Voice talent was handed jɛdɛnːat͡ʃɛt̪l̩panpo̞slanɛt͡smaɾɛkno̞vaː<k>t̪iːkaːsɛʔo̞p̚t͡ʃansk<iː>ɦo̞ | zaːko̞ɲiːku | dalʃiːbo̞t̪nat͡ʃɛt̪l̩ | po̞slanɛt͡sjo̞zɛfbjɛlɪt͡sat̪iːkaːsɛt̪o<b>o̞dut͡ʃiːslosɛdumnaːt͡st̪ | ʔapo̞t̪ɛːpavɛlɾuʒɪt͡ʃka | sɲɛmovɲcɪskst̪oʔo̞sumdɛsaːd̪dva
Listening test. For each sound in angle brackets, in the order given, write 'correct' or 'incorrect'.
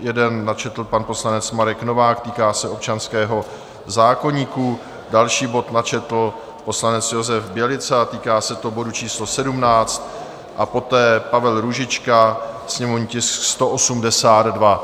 correct, incorrect: ɛː, correct

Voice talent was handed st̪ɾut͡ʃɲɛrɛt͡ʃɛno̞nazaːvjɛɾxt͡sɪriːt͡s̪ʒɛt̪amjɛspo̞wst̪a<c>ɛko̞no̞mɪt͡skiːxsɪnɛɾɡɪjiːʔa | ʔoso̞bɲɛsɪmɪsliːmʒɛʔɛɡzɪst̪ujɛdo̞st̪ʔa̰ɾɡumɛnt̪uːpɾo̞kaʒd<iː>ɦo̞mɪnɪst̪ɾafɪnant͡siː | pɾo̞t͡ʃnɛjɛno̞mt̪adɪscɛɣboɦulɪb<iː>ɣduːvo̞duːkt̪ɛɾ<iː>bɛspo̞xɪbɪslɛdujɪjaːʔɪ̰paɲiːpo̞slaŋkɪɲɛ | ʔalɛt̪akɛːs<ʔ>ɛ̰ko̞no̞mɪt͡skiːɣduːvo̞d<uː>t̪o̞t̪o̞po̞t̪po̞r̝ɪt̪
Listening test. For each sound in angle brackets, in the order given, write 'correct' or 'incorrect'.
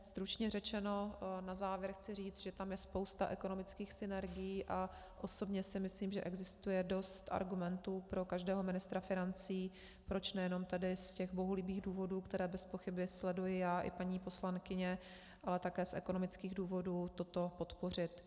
incorrect: ʔ, incorrect: ɛː, correct, incorrect: ɛː, correct, correct

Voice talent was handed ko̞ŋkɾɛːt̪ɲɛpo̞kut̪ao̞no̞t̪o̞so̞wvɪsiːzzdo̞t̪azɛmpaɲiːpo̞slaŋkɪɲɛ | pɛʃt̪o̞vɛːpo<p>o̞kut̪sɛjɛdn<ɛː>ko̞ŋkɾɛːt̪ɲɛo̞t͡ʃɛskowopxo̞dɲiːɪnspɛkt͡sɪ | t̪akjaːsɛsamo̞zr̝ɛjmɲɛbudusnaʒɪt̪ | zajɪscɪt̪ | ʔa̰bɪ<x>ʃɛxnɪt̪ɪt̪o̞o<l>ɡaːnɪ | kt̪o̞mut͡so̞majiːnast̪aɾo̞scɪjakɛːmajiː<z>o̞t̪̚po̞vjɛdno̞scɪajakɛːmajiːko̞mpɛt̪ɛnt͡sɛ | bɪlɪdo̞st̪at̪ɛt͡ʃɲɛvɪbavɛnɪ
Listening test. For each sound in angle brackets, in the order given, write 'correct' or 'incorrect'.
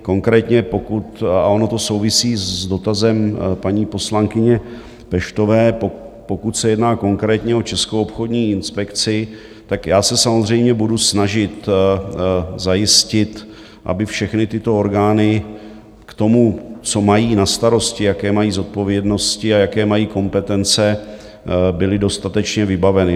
correct, incorrect: aː, incorrect: f, incorrect: ɾ, correct

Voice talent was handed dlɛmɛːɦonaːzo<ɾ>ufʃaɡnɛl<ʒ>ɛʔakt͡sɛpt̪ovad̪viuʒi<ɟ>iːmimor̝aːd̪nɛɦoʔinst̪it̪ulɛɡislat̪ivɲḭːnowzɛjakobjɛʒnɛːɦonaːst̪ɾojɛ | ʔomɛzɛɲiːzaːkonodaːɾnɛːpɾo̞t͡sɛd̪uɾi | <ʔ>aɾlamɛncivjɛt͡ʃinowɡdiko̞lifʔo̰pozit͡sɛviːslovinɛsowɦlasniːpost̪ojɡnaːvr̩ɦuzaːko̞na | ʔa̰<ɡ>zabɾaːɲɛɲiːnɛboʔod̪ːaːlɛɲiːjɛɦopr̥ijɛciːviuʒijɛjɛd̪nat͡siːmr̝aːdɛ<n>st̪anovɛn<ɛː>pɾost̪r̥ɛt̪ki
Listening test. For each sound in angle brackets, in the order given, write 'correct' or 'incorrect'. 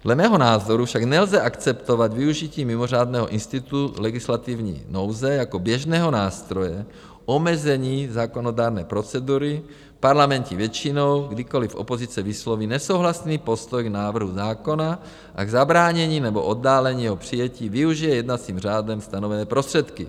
correct, incorrect: z, incorrect: c, incorrect: p, correct, incorrect: m, correct

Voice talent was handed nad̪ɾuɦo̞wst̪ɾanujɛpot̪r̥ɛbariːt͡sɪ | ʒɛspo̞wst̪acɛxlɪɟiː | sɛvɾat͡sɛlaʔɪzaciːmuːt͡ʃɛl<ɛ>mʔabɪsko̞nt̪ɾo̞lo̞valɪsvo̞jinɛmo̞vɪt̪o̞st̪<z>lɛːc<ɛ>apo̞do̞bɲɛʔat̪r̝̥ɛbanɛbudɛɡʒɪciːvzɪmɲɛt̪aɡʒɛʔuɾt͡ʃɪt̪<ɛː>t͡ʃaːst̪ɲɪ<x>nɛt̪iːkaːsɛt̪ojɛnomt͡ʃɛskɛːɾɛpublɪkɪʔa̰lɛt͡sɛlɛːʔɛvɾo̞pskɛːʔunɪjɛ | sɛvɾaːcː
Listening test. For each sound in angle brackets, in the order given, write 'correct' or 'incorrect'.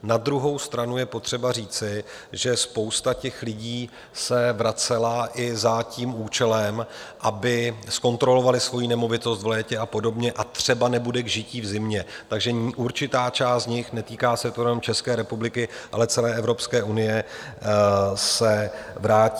correct, incorrect: v, correct, incorrect: aː, correct

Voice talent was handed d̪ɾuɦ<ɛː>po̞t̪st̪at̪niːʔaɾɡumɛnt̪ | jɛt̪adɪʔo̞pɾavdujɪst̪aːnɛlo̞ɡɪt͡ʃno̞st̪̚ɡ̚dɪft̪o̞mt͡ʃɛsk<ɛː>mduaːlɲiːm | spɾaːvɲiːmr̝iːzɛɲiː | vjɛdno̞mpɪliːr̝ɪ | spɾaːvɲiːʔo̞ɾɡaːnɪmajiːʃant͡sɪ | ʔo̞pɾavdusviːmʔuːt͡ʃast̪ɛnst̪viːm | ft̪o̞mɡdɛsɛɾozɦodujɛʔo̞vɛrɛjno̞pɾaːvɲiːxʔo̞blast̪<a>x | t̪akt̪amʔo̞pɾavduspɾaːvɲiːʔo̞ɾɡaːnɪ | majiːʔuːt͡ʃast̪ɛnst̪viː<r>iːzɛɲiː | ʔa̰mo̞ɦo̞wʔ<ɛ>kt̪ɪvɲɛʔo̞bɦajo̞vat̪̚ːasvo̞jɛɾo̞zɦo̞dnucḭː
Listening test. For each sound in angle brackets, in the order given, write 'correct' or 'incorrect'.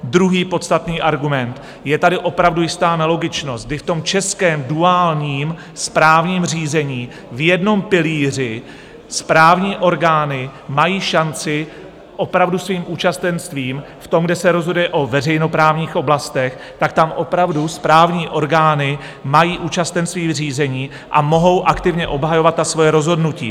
incorrect: iː, correct, incorrect: ɛ, correct, incorrect: a

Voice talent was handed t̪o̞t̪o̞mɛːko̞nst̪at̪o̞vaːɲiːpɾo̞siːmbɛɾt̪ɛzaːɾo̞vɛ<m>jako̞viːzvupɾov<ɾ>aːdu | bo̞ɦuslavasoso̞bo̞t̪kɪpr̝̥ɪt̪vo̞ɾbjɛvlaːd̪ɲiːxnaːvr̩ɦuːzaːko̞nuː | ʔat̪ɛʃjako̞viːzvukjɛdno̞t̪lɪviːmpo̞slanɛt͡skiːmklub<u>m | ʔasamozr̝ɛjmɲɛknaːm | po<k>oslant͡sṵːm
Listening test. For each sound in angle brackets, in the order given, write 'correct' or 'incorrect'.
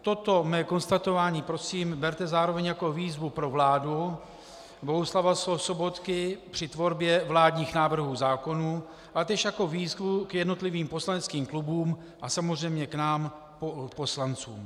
incorrect: ɲ, incorrect: l, incorrect: uː, incorrect: p

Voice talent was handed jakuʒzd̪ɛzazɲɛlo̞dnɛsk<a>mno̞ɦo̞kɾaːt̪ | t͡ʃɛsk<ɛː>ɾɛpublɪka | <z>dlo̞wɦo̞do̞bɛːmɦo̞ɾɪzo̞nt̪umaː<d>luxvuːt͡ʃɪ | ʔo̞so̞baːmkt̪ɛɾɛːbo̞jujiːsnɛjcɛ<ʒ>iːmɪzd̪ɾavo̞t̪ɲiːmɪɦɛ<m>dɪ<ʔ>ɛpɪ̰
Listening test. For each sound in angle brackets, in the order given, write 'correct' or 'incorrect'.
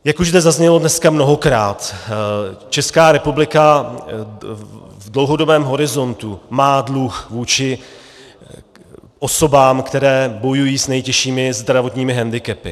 correct, incorrect: aː, incorrect: v, correct, incorrect: ʃ, incorrect: n, incorrect: k

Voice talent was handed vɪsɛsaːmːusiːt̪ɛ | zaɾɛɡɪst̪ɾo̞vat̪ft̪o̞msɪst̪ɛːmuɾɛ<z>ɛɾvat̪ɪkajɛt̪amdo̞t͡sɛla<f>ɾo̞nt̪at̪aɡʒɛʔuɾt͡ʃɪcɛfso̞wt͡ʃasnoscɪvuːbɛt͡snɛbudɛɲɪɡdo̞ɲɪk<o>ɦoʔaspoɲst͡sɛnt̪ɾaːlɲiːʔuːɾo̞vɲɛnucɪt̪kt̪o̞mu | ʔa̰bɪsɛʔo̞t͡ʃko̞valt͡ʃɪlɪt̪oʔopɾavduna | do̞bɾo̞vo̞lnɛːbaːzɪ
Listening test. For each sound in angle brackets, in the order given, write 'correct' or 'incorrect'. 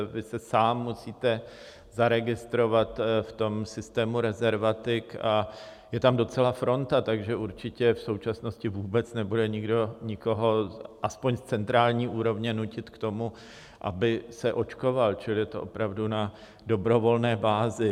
correct, correct, correct

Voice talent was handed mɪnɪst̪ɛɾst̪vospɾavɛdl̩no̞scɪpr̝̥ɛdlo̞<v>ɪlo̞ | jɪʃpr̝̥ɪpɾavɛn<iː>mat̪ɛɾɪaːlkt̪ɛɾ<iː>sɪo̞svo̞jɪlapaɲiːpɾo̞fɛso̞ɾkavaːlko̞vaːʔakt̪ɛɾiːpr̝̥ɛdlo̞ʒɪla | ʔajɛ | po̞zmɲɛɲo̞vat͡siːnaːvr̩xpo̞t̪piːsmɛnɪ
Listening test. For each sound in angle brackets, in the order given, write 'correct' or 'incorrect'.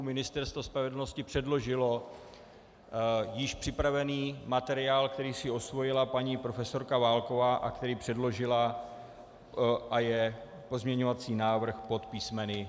incorrect: ʒ, correct, correct

